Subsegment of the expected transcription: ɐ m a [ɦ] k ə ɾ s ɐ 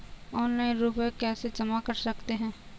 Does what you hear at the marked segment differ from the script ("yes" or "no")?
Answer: yes